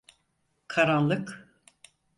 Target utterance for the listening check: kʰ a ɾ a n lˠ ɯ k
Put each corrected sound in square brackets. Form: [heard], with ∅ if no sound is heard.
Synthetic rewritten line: kʰ a ɾ a n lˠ ɯ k